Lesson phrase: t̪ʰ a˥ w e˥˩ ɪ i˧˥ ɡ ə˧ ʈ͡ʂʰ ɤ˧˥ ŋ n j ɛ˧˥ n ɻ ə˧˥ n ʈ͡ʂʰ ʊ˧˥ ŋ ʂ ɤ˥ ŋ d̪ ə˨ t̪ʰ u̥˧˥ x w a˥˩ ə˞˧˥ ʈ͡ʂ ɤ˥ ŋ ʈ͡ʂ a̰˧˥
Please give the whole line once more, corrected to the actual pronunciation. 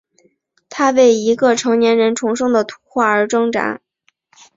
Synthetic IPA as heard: t̪ʰ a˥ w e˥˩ ɪ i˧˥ ɡ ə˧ ʈ͡ʂʰ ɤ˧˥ ŋ n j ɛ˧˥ n ɻ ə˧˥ n ʈ͡ʂʰ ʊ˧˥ ŋ ʂ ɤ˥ ŋ d̪ ə˨ t̪ʰ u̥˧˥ x w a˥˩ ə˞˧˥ ʈ͡ʂ ɤ˥ ŋ ʈ͡ʂ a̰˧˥